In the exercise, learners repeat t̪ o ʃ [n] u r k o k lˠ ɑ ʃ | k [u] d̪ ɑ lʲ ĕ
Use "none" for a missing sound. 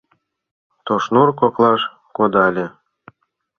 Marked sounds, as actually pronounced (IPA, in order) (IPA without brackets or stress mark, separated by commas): n, o